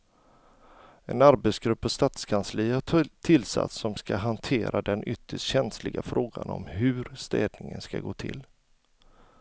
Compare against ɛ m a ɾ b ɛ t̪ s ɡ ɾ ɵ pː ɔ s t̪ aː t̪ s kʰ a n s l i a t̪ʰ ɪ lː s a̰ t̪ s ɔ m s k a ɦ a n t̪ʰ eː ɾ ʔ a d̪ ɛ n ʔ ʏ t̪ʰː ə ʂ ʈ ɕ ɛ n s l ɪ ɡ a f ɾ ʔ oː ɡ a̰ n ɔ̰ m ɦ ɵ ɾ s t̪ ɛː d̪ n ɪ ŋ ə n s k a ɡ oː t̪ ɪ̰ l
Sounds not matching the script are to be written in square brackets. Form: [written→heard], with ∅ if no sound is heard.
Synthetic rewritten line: ɛ [m→n] a ɾ b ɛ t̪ s ɡ ɾ ɵ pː ɔ s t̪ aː t̪ s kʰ a n s l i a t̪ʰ ɪ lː s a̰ t̪ s ɔ m s k a ɦ a n t̪ʰ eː ɾ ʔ a d̪ ɛ n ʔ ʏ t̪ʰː ə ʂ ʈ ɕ ɛ n s l ɪ ɡ a f ɾ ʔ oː ɡ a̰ n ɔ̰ m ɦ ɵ ɾ s t̪ ɛː d̪ n ɪ ŋ ə n s k a ɡ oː [t̪→t̪ʰ] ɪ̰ l

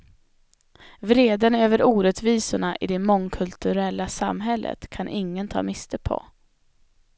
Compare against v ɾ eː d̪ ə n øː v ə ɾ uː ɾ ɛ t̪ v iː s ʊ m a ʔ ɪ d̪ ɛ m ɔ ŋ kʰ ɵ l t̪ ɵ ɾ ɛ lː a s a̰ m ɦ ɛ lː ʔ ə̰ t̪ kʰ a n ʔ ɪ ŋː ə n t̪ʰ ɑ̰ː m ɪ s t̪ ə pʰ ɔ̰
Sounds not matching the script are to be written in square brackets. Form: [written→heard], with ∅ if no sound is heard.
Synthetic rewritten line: v ɾ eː d̪ ə n øː v ə ɾ uː ɾ ɛ t̪ v iː s ʊ [m→ɳ] a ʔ ɪ d̪ ɛ m ɔ ŋ kʰ ɵ l t̪ ɵ ɾ ɛ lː a s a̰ m ɦ ɛ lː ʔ ə̰ t̪ kʰ a n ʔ ɪ ŋː ə n t̪ʰ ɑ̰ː m ɪ s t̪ ə pʰ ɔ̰

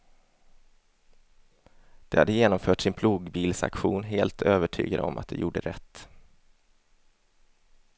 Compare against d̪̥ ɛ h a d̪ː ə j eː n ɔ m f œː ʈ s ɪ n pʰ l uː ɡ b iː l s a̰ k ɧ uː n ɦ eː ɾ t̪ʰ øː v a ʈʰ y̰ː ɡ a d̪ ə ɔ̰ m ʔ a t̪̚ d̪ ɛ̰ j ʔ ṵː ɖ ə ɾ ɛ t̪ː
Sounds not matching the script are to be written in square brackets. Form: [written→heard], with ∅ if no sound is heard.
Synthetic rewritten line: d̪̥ ɛ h a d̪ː ə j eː n ɔ m f œː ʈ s ɪ n pʰ l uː ɡ b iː l s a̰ k ɧ uː n ɦ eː [ɾ→l] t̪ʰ øː v [a→ə] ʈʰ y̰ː ɡ a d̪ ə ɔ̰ m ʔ a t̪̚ d̪ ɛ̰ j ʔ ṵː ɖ ə ɾ ɛ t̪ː

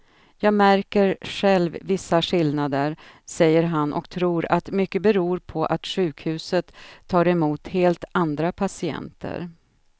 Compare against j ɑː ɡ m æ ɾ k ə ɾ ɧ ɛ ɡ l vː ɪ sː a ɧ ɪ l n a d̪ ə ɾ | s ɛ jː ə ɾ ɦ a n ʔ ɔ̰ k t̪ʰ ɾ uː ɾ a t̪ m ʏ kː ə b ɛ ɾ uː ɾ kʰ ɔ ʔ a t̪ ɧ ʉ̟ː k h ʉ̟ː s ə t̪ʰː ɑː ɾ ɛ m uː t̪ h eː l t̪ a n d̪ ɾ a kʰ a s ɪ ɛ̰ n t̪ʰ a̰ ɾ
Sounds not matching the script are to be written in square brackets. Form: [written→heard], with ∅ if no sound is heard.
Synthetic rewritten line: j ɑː ɡ m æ ɾ k ə ɾ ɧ ɛ [ɡ→∅] l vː ɪ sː a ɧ ɪ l n a d̪ ə ɾ | s ɛ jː ə ɾ ɦ a n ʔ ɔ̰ k t̪ʰ ɾ uː ɾ a t̪ m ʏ kː ə b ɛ ɾ uː ɾ [kʰ→pʰ] ɔ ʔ a t̪ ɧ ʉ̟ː k h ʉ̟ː s ə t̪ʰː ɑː ɾ ɛ m uː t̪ h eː l t̪ a n d̪ ɾ a [kʰ→pʰ] a s ɪ ɛ̰ n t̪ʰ [a̰→ə̰] ɾ

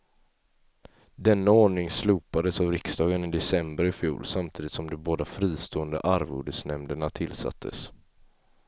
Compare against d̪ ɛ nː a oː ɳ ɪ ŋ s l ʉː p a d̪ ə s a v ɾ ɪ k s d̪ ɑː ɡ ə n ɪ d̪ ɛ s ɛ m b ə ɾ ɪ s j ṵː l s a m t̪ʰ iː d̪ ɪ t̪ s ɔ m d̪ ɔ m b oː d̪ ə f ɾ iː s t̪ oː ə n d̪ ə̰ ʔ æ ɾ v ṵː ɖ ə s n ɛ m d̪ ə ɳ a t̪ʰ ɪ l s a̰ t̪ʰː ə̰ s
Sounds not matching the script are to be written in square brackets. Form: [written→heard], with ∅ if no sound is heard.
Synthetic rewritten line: d̪ ɛ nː a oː ɳ ɪ ŋ s l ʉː p a d̪ ə s a v ɾ ɪ k s d̪ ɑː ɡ ə n ɪ d̪ ɛ s ɛ m b ə ɾ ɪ [s→f] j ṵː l s a m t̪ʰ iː d̪ ɪ t̪ s ɔ m d̪ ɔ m b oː d̪ [ə→a] f ɾ iː s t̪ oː ə n d̪ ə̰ ʔ [æ→a] ɾ v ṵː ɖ ə s n ɛ m d̪ ə ɳ a t̪ʰ ɪ l s a̰ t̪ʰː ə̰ s

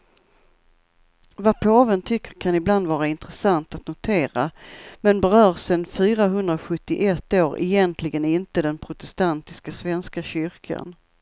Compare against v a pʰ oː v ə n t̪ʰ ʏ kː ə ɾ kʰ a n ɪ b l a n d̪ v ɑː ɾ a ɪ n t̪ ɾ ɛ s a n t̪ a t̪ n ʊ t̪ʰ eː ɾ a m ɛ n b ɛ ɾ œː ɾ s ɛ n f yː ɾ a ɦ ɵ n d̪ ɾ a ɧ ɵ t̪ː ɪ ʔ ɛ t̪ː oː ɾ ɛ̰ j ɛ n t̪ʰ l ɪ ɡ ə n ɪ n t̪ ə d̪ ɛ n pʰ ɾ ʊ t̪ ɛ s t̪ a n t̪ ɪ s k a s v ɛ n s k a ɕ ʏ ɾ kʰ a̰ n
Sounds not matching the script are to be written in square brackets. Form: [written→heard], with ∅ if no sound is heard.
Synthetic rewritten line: v a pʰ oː v ə n t̪ʰ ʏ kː ə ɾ kʰ a n ɪ b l a n d̪ v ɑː ɾ a ɪ n t̪ ɾ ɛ s a n t̪ a t̪ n ʊ t̪ʰ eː ɾ a m ɛ n b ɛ ɾ œː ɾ s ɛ n f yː ɾ a ɦ ɵ n d̪ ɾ a ɧ ɵ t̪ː ɪ ʔ ɛ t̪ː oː ɾ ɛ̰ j ɛ n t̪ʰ l ɪ ɡ ə n ɪ n t̪ ə d̪ ɛ n pʰ ɾ ʊ t̪ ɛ s t̪ a n t̪ ɪ s k a s v ɛ n s k a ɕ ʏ ɾ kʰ a̰ n

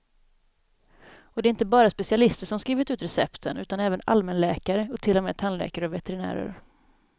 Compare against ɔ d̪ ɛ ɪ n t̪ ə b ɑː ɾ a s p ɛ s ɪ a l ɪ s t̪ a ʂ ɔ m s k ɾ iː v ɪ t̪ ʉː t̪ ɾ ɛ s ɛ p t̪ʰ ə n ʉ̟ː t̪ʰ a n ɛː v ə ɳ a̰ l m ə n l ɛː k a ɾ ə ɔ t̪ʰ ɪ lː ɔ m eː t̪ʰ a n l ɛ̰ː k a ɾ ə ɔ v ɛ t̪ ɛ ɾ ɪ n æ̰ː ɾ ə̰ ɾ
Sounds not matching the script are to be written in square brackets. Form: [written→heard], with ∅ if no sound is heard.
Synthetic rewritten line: ɔ d̪ ɛ ɪ n t̪ ə b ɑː ɾ a s p ɛ s ɪ a l ɪ s t̪ [a→ə] ʂ ɔ m s k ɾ iː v ɪ t̪ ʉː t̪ ɾ ɛ s ɛ p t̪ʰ ə n ʉ̟ː [t̪ʰ→t̪] a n ɛː v ə [ɳ→n] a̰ l m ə n l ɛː k a ɾ ə ɔ t̪ʰ ɪ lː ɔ m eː t̪ʰ a n l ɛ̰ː k a ɾ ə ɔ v ɛ t̪ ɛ ɾ ɪ n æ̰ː ɾ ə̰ ɾ

